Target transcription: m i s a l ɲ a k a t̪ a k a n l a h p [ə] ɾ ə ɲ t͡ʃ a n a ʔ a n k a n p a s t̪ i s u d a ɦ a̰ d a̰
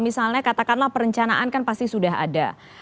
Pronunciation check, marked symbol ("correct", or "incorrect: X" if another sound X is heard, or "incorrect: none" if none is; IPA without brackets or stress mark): correct